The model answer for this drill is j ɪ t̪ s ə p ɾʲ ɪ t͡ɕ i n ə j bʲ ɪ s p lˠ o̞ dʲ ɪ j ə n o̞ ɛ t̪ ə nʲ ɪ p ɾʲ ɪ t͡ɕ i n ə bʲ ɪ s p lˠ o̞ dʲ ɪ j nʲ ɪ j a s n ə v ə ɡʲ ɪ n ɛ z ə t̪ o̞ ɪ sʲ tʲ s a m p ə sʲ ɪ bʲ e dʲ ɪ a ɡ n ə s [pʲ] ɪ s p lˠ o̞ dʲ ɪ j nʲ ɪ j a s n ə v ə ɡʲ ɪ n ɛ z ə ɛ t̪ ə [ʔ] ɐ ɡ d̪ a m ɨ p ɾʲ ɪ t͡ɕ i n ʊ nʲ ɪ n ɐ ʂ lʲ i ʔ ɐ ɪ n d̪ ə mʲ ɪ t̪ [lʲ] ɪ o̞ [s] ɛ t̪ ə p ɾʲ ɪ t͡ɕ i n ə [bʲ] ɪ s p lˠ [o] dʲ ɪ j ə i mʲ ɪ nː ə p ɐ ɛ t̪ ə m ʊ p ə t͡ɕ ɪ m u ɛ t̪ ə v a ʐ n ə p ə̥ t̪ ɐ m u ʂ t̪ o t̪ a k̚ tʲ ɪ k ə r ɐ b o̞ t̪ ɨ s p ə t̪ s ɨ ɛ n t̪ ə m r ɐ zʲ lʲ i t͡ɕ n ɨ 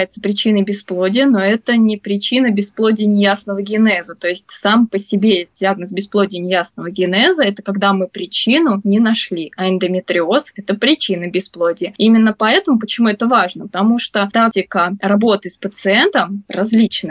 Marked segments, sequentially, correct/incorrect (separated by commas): incorrect, incorrect, incorrect, correct, correct, correct